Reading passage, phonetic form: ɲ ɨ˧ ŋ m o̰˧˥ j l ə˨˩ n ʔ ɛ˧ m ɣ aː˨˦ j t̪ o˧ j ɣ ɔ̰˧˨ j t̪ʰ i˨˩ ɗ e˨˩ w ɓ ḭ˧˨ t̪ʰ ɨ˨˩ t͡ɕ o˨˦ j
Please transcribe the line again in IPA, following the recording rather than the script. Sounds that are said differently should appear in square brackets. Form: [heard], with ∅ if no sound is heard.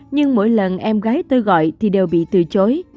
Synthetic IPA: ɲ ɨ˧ ŋ m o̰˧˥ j l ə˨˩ n ʔ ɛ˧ m ɣ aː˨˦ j t̪ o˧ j ɣ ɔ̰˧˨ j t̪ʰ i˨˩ ɗ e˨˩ w ɓ ḭ˧˨ [t̪] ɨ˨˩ t͡ɕ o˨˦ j